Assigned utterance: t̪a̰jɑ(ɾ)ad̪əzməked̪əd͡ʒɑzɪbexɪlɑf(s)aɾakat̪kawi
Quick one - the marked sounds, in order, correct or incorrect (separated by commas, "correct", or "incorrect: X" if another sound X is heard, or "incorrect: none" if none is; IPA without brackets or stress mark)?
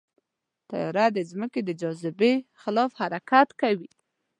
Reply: correct, incorrect: h